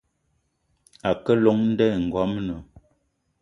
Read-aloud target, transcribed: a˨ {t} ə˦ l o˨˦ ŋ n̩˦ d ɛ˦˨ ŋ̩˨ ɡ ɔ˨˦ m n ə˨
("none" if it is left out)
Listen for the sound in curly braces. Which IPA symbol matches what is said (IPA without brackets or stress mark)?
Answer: k